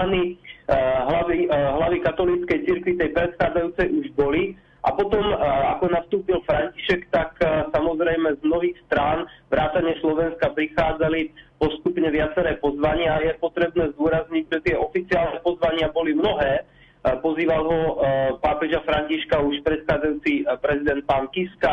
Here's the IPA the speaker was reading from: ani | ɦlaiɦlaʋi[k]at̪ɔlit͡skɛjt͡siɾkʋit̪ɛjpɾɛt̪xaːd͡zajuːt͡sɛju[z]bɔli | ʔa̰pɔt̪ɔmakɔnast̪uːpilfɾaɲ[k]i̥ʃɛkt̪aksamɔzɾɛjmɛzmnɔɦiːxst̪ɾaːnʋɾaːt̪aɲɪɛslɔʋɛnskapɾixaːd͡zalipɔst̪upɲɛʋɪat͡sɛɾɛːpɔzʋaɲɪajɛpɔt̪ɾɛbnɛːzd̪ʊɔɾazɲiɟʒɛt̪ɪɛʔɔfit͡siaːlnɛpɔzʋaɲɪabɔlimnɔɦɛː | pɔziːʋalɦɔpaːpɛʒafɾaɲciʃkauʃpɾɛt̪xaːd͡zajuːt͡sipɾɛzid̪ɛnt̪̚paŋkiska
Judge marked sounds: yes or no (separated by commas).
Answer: yes, no, no